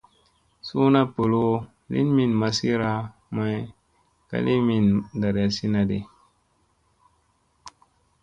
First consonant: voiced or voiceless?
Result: voiceless